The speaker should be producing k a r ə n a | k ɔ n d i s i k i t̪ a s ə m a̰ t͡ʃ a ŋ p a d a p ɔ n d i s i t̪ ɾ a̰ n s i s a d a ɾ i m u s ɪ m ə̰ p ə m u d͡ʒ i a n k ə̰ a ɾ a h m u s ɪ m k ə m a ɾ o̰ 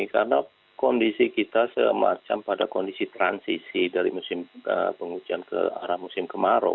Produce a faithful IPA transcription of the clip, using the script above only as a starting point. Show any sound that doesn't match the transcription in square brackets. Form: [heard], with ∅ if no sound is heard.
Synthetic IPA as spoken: k a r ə n a | k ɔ n d i s i k i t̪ a s ə m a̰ t͡ʃ a [m] p a d a [k] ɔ n d i s i t̪ ɾ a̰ n s i s [i] d a ɾ i m u s ɪ m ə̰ p ə [ŋ] u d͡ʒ i a n k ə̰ a ɾ a h m u s ɪ m k ə m a ɾ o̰